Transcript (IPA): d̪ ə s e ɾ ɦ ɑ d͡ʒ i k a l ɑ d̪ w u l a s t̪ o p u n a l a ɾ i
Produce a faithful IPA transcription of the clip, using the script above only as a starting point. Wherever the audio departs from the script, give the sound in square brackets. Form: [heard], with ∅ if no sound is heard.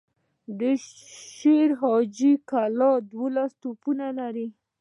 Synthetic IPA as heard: d̪ ə [ʃ] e ɾ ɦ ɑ d͡ʒ i k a l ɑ d̪ w [o] l a s t̪ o p u n a l a ɾ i